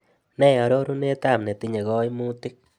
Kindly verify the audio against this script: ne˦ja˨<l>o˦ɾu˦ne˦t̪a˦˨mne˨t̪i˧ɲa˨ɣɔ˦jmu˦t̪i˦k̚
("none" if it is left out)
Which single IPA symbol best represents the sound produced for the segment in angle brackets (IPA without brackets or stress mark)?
ɾ